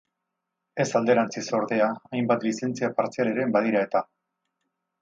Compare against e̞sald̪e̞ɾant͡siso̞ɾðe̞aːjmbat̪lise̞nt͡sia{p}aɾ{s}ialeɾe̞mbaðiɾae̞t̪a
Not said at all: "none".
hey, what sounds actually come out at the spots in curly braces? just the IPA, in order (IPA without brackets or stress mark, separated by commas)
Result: p, t͡s